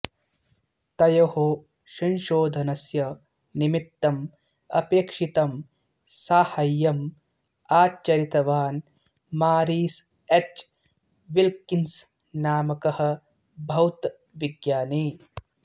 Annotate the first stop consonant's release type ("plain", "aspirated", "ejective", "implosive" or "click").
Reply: plain